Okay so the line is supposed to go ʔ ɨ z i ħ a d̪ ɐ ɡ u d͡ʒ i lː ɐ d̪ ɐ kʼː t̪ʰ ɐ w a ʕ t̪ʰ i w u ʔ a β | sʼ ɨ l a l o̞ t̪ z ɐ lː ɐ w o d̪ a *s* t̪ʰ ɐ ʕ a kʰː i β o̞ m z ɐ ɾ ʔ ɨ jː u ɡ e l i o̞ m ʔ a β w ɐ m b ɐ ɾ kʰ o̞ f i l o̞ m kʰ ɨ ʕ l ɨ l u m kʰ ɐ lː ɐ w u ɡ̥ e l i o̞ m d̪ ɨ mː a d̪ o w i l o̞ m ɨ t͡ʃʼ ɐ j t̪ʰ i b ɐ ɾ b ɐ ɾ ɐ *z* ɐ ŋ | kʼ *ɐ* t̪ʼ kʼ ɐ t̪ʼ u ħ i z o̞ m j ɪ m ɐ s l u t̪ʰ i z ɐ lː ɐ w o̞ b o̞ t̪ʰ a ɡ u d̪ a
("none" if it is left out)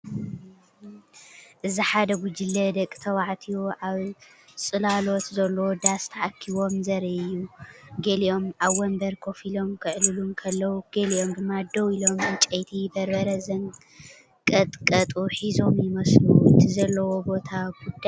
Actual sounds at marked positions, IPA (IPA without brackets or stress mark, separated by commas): s, z, ɐ